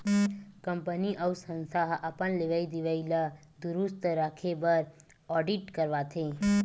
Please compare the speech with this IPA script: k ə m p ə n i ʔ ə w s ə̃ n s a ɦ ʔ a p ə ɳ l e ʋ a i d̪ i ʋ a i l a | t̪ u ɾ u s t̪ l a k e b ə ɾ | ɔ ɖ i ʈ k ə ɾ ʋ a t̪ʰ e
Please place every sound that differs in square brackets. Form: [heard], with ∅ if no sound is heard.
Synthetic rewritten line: k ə m p ə n i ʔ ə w s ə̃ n s a ɦ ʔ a p ə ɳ l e ʋ a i d̪ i ʋ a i l a | [d̪] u ɾ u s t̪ [ɾ] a [kʰ] e b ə ɾ | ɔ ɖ i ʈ k ə ɾ ʋ a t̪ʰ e